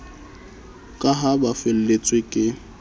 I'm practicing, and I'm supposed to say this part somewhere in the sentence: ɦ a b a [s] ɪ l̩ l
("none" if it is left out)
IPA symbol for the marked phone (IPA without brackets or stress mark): f